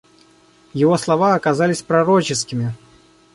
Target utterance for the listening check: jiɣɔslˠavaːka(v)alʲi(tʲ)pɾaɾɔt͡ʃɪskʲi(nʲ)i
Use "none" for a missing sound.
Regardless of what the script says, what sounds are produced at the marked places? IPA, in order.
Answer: z, sʲ, mʲ

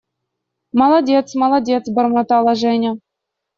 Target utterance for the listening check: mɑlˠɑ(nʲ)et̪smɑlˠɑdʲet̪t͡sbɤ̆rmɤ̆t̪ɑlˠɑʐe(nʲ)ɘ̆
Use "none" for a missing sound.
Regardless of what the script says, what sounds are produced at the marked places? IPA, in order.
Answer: dʲ, nʲ

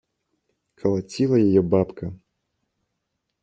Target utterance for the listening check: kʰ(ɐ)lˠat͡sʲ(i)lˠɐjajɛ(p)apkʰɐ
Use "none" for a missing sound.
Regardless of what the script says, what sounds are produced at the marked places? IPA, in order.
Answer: ɐ, i, b

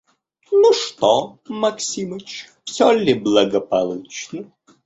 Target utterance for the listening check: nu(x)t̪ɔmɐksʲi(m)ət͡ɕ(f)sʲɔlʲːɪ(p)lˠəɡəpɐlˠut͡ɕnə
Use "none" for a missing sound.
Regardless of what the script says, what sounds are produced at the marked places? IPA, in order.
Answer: ʂ, m, f, b

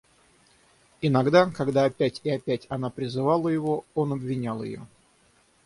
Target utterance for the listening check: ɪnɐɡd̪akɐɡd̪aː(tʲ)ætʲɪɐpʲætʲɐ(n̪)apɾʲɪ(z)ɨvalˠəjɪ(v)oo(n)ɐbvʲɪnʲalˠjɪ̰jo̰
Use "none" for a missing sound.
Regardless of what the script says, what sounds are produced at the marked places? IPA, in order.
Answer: pʲ, n̪, z, v, n

